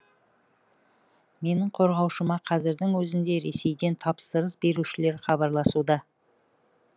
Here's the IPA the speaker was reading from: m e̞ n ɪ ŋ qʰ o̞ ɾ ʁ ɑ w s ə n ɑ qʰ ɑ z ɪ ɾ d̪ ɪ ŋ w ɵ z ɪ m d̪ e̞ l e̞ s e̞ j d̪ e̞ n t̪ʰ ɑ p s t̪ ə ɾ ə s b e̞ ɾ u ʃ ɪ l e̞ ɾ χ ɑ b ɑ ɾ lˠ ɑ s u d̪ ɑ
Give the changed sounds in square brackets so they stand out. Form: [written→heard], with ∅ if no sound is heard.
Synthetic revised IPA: m e̞ n ɪ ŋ qʰ o̞ ɾ ʁ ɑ w [s→ʃ] ə [n→m] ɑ qʰ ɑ z ɪ ɾ d̪ ɪ ŋ w ɵ z ɪ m d̪ e̞ [l→ɾ] e̞ s e̞ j d̪ e̞ n t̪ʰ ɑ p s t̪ ə ɾ ə s b e̞ ɾ u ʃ ɪ l e̞ ɾ χ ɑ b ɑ ɾ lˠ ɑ s u d̪ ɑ